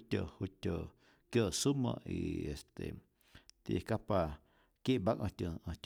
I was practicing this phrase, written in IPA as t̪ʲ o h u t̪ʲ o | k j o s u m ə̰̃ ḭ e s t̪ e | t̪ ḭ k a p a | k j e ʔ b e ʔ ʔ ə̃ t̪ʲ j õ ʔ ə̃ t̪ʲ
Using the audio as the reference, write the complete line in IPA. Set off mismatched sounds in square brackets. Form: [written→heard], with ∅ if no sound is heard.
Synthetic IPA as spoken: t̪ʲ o h u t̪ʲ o | k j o s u m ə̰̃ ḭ e s t̪ e | t̪ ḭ k a p a | k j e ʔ b [e→a] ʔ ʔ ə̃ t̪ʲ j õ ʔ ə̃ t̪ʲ